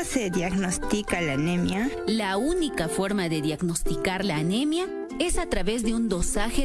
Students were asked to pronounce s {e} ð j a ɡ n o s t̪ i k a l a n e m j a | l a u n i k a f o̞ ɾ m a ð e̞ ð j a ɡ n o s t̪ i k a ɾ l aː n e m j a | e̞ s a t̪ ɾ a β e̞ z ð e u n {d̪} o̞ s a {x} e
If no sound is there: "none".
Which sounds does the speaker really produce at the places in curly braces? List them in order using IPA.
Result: e, d̪, x

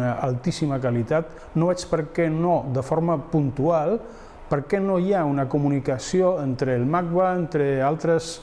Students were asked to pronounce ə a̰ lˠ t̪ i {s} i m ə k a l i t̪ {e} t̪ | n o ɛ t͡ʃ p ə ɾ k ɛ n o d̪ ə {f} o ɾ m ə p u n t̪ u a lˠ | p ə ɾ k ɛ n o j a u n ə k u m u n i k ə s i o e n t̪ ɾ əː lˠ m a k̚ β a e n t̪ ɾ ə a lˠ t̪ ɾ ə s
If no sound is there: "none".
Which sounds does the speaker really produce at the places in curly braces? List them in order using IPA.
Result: s, a, f

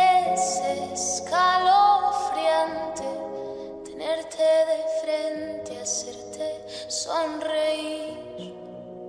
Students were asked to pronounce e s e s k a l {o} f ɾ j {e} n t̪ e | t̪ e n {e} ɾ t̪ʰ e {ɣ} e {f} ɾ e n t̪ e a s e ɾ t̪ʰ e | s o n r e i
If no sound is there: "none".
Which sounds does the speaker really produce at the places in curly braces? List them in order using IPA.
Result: o, a, e, ð, f

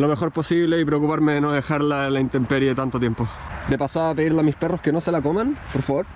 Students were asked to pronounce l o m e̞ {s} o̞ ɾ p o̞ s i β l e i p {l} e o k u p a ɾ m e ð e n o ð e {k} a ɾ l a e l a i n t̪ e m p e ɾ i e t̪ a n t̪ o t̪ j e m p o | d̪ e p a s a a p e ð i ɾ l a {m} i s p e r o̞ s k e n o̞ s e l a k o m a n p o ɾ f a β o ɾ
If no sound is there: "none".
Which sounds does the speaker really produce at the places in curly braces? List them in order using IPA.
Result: x, ɾ, x, m

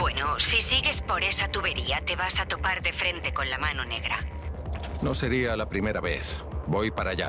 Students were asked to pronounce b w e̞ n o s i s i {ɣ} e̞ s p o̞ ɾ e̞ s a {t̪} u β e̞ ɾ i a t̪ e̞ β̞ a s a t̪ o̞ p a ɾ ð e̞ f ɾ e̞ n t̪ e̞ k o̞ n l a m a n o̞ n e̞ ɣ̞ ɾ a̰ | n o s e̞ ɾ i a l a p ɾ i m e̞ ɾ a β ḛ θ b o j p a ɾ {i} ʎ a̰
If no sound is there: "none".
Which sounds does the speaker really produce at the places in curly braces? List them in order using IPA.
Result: ɣ, t̪, a

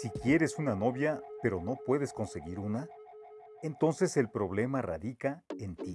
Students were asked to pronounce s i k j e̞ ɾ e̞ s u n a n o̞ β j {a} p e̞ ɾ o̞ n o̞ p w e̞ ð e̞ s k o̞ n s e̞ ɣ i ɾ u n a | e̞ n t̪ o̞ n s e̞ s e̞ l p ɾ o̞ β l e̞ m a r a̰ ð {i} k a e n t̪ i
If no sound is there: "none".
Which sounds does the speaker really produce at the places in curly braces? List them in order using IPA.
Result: a, i

